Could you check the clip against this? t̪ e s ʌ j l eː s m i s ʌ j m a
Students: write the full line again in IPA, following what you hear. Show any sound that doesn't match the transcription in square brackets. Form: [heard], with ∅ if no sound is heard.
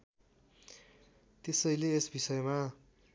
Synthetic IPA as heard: t̪ e s ʌ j l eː s [b] i s ʌ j m a